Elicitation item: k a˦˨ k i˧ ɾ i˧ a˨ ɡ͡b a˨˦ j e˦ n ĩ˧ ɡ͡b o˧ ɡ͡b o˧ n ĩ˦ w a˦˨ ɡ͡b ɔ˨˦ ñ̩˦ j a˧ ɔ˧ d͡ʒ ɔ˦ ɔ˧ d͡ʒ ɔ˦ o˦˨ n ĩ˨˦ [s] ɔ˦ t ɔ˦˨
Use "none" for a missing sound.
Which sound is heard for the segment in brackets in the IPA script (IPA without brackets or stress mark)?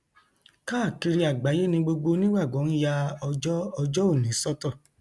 s